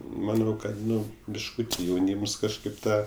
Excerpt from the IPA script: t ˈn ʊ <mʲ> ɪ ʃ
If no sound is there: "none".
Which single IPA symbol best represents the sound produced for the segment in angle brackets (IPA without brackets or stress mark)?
bʲ